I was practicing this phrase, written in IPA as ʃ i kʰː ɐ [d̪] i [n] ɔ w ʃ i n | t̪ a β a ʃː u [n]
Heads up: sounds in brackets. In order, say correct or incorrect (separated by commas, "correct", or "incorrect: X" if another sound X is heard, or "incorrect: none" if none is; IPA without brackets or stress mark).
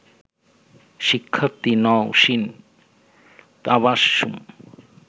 incorrect: t̪, correct, incorrect: m